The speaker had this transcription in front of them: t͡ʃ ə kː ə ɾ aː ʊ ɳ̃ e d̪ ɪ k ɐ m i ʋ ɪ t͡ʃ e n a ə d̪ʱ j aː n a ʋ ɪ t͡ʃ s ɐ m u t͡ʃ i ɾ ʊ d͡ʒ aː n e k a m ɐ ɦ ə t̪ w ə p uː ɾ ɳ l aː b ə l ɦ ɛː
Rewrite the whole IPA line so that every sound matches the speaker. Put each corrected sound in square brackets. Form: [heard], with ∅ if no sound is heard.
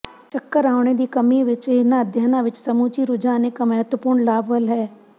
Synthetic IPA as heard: t͡ʃ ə kː ə ɾ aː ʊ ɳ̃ e d̪ [i] k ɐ m i ʋ ɪ t͡ʃ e n a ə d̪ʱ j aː n a ʋ ɪ t͡ʃ s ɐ m u t͡ʃ i ɾ ʊ d͡ʒ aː n e k a m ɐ ɦ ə t̪ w ə p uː ɾ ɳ l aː b ə l ɦ ɛː